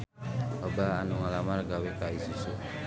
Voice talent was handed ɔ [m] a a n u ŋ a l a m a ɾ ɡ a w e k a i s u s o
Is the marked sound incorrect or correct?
incorrect